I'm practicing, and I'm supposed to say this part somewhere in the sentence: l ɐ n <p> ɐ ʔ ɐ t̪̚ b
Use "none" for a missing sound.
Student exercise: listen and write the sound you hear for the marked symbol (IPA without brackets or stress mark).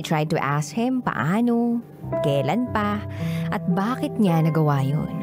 p